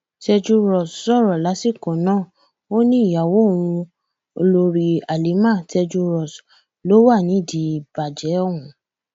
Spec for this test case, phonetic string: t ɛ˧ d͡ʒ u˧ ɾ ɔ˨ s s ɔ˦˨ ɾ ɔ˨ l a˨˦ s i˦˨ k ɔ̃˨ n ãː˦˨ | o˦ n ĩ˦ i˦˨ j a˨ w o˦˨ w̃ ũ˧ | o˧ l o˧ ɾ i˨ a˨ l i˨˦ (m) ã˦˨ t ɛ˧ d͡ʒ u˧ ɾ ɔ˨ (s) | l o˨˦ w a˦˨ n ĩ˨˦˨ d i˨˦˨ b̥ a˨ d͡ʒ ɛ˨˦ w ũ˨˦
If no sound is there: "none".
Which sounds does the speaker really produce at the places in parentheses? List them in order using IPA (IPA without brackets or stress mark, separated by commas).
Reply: m, s